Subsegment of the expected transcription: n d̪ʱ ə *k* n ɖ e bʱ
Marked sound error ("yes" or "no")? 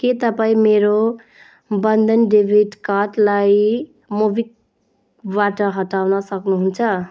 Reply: yes